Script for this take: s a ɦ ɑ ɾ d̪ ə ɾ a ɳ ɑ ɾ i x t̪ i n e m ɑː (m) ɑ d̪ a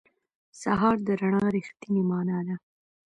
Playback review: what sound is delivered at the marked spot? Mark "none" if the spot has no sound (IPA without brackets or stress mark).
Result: n